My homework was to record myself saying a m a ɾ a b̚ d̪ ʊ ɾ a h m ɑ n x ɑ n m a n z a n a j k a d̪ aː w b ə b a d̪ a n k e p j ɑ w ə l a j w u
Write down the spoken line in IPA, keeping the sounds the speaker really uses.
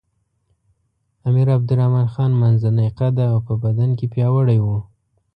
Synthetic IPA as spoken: a m i ɾ a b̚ d̪ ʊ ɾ a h m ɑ n x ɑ n m a n z a n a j q a d̪ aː w p ə b a d̪ a n k e p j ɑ w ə ɽ a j w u